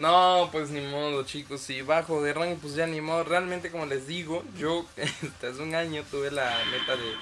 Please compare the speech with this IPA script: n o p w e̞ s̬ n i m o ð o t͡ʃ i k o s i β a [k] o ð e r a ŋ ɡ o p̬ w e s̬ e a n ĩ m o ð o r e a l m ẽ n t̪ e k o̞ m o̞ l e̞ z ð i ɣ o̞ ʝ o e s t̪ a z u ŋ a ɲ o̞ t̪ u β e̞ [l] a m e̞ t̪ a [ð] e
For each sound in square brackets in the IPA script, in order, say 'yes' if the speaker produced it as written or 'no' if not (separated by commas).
no, yes, yes